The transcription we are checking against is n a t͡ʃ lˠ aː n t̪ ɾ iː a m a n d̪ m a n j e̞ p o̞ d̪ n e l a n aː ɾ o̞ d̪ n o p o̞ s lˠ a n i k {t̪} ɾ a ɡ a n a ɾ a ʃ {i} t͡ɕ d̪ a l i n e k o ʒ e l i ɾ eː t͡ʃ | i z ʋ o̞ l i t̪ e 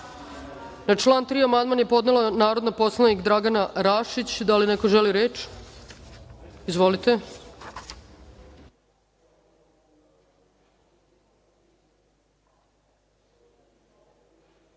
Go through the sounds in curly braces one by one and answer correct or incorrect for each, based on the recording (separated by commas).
incorrect, correct